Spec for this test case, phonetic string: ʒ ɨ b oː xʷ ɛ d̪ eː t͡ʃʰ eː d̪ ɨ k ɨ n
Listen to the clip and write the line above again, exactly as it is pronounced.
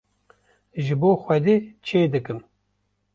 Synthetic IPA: ʒ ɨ b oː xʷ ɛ d̪ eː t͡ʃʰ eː d̪ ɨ k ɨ m